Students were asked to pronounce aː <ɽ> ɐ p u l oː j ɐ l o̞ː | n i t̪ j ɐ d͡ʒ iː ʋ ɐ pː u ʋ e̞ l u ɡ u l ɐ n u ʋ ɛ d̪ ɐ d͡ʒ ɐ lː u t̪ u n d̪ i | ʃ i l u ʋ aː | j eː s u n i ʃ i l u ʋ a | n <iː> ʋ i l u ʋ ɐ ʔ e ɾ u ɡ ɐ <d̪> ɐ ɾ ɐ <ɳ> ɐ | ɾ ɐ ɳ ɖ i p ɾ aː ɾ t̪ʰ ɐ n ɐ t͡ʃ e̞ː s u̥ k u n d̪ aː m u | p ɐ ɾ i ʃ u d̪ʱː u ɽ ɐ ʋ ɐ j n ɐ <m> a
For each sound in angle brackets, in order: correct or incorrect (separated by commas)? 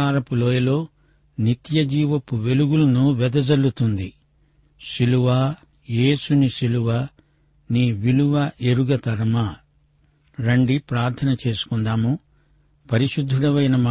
incorrect, correct, incorrect, incorrect, correct